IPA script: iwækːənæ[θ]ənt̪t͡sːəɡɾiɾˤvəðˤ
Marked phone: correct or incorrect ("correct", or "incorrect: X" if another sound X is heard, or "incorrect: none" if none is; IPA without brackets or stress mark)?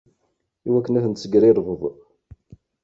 correct